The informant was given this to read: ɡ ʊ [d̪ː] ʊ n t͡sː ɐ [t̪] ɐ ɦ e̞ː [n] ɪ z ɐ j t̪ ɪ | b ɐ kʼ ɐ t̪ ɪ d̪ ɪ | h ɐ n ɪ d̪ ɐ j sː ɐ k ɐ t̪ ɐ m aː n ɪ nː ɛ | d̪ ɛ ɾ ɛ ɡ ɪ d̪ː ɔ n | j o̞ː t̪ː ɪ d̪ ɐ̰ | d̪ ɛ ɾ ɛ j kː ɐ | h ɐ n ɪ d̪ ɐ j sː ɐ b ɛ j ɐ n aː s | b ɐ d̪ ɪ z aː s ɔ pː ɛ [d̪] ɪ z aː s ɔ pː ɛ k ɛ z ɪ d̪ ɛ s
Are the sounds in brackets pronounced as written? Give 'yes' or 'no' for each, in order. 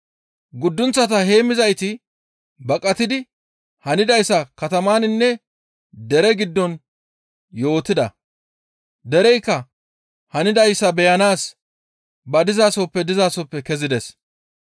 yes, yes, no, yes

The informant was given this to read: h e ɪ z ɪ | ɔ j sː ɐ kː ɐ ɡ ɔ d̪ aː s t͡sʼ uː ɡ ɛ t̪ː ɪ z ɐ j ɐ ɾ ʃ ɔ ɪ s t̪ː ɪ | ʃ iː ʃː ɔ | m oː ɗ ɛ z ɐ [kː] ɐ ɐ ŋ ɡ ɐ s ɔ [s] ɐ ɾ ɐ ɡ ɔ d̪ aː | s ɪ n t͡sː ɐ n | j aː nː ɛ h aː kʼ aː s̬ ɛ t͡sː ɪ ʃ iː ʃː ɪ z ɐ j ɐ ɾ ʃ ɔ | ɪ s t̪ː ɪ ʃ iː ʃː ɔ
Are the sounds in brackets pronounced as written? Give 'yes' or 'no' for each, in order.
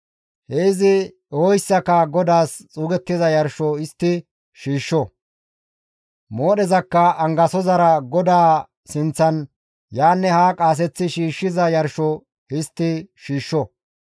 yes, no

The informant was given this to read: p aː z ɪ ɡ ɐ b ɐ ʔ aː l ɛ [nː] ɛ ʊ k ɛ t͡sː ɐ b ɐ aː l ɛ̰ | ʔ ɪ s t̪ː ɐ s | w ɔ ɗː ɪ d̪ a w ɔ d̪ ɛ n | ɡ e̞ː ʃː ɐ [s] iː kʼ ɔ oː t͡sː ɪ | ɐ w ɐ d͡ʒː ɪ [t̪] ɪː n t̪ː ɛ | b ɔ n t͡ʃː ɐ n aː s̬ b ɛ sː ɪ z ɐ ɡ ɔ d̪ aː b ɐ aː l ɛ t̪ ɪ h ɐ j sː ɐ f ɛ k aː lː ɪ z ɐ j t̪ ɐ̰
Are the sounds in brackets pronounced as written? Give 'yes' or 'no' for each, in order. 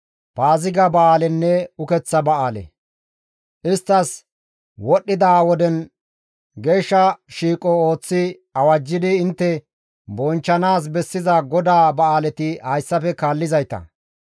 yes, no, no

